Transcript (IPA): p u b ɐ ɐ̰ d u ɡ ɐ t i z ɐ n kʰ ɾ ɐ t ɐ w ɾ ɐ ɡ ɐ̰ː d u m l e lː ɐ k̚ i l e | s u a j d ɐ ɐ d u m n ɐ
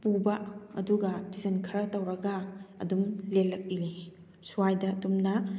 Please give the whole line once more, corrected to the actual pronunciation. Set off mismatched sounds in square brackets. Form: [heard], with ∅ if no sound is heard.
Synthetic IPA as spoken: p u b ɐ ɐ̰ d u ɡ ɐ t i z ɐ n kʰ ɾ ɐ t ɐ w ɾ ɐ ɡ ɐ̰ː d u m l e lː ɐ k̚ i l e | s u a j d ɐ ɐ d u m n ɐ